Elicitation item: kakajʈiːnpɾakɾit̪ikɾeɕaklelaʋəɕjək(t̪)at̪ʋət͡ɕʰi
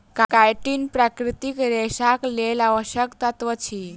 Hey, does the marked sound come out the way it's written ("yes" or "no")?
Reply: yes